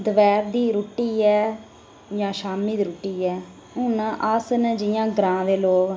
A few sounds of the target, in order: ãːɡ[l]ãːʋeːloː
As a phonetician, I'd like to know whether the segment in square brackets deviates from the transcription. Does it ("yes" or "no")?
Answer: yes